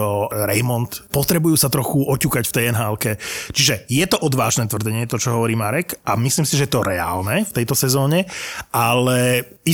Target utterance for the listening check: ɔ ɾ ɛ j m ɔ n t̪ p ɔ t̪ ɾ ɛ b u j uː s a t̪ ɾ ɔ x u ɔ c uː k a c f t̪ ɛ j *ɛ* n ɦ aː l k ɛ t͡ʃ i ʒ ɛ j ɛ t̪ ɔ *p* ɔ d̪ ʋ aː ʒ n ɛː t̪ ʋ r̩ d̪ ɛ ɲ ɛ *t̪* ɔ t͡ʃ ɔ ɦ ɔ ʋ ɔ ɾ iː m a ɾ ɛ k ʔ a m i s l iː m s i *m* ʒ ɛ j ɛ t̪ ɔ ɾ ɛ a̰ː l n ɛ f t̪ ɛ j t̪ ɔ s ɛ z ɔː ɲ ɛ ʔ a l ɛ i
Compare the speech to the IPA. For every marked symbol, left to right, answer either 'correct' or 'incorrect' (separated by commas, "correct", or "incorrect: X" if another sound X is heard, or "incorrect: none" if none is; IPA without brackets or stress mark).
correct, incorrect: ʔ, correct, incorrect: none